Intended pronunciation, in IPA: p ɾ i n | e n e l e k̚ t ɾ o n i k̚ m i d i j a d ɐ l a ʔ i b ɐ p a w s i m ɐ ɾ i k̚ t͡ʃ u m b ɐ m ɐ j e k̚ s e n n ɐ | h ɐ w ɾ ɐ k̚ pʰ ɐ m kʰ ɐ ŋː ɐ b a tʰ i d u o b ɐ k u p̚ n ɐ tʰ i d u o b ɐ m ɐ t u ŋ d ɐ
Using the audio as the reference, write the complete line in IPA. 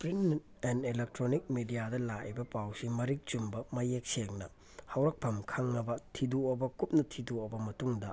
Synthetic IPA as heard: p ɾ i n | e n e l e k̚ t ɾ o n i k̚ m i d i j a d ɐ l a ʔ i b ɐ p a w s i m ɐ ɾ i k̚ t͡ʃ u m b ɐ m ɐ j e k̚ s e ŋ n ɐ | h ɐ w ɾ ɐ k̚ pʰ ɐ m kʰ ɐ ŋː ɐ b ɐ tʰ i d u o b ɐ k u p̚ n ɐ tʰ i d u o b ɐ m ɐ t u ŋ d ɐ

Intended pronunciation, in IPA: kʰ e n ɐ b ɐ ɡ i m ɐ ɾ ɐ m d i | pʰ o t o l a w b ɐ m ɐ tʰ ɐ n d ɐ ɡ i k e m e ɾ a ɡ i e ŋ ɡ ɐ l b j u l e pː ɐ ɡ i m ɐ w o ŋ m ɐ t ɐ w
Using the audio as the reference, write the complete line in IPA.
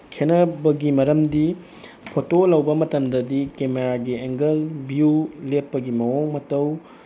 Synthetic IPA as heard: kʰ e n ɐ b ɐ ɡ i m ɐ ɾ ɐ m d i | pʰ o t o l ɐ w b ɐ m ɐ t ɐ m d ɐ d i k e m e ɾ a ɡ i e ŋ ɡ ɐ l b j u l e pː ɐ ɡ i m ɐ w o ŋ m ɐ t ɐ w

